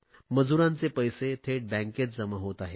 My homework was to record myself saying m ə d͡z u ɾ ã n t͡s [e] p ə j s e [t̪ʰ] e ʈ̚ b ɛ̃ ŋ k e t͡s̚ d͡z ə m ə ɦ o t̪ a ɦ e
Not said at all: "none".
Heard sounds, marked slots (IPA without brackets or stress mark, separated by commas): e, t̪ʰ